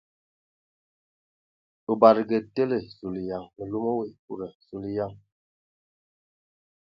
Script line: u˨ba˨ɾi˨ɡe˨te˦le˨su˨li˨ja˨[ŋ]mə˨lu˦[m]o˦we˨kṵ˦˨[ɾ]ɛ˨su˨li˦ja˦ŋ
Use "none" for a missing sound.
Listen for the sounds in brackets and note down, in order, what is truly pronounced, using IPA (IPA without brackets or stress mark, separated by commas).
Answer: ŋ, m, ɾ